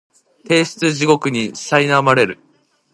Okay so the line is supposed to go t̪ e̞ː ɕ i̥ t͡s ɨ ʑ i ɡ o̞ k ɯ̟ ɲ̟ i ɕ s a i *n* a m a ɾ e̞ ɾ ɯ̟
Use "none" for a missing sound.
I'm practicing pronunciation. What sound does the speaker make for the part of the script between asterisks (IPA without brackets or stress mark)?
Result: n